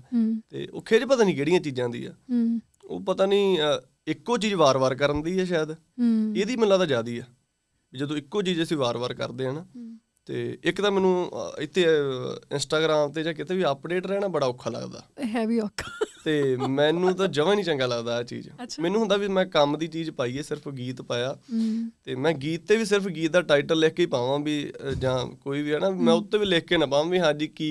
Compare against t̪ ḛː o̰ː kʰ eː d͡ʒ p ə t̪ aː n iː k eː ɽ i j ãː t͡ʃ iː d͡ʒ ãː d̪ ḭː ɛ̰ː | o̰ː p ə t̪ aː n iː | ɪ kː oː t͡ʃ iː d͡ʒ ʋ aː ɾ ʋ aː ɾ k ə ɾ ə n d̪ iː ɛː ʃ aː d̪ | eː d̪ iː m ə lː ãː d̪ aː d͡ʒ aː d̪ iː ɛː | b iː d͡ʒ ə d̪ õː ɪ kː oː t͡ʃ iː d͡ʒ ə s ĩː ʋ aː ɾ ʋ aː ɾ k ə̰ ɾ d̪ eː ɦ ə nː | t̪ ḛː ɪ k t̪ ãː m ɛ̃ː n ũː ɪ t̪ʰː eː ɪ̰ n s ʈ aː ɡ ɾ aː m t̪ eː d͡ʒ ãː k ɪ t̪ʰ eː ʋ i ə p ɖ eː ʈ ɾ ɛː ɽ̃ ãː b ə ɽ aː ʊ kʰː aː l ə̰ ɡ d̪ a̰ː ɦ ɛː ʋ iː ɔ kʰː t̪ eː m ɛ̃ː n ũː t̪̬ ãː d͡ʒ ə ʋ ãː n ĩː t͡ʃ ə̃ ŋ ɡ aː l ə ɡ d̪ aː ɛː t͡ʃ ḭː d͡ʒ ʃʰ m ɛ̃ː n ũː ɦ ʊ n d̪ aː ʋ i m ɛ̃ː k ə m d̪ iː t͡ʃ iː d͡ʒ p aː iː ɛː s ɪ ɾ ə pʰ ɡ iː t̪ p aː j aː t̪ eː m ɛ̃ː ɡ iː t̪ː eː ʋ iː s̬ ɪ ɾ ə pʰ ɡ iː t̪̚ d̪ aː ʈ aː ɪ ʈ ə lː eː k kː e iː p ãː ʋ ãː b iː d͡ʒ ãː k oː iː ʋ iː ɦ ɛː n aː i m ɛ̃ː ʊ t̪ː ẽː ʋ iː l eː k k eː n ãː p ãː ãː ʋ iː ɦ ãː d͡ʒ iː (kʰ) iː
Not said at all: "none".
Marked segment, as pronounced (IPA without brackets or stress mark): k